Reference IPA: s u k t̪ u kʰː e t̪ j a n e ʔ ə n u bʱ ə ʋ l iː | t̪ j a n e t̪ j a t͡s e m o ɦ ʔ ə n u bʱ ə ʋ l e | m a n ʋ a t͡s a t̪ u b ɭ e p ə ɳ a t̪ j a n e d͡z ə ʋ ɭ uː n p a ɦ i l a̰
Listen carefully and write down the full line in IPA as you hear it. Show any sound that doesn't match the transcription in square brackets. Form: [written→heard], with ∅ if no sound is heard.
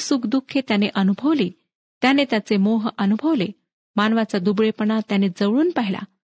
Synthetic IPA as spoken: s u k [t̪→d̪] u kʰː e t̪ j a n e ʔ ə n u bʱ ə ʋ l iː | t̪ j a n e t̪ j a t͡s e m o ɦ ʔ ə n u bʱ ə ʋ l e | m a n ʋ a t͡s a [t̪→d̪] u b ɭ e p ə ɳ a t̪ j a n e d͡z ə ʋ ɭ uː n p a ɦ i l a̰